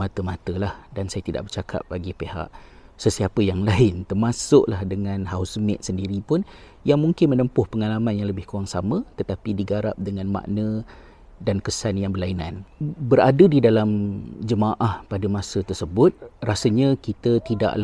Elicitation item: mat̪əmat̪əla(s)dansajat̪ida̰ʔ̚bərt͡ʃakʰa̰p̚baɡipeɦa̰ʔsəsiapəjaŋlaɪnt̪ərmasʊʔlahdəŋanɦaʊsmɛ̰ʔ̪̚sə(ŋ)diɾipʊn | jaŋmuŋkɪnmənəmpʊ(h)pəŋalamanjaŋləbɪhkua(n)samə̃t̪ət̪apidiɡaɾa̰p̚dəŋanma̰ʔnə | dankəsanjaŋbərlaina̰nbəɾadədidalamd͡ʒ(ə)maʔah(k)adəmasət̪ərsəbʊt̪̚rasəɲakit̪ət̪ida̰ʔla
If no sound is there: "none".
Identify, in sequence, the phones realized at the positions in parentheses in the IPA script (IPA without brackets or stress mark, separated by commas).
h, n, h, ŋ, ə, p